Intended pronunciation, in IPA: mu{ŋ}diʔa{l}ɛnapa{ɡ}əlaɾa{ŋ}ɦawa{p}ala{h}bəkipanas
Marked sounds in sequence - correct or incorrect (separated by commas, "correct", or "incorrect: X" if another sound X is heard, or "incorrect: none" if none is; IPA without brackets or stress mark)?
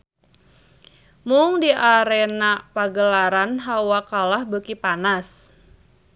correct, incorrect: ɾ, correct, incorrect: n, incorrect: k, correct